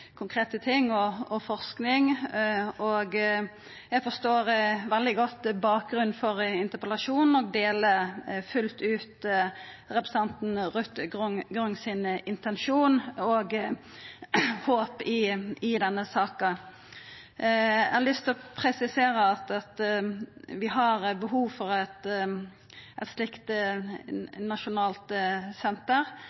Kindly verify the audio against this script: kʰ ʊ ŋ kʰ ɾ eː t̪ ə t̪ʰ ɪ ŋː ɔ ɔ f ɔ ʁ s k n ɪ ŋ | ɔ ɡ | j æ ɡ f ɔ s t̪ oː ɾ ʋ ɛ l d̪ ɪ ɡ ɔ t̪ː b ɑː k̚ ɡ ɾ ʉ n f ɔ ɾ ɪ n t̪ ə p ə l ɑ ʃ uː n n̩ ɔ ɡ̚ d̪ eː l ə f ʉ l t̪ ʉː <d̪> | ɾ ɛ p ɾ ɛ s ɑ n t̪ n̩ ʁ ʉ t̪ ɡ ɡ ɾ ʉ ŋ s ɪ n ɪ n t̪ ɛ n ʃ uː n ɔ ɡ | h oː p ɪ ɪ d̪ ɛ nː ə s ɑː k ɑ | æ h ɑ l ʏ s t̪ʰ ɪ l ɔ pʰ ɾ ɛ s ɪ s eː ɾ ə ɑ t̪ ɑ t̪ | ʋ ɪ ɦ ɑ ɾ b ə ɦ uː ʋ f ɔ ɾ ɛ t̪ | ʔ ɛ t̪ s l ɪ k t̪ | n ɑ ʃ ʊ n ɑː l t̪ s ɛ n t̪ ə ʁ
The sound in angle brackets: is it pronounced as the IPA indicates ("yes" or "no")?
no